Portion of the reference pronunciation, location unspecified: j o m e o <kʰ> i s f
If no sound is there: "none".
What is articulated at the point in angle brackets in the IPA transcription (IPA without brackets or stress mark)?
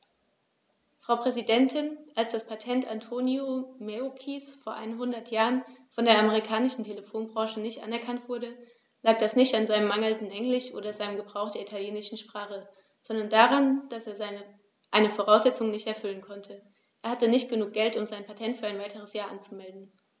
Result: kʰ